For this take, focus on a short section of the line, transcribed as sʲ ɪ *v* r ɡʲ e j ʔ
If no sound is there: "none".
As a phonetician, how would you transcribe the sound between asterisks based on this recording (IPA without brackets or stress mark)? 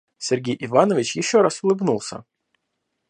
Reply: none